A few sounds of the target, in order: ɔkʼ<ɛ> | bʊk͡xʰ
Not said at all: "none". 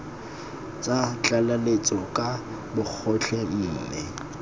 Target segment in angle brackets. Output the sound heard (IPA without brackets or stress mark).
a